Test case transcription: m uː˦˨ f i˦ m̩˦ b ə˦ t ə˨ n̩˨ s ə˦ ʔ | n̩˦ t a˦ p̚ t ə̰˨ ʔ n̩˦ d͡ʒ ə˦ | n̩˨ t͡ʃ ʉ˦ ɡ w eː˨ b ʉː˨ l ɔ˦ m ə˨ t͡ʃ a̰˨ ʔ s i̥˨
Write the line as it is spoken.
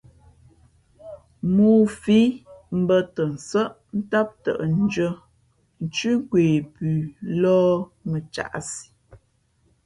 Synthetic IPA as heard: m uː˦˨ f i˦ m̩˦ b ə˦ t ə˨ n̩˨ s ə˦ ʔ | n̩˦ t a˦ p̚ t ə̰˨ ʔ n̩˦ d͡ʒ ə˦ | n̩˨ t͡ʃ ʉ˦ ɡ w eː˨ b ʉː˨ l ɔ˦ m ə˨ t͡ʃ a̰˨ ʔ s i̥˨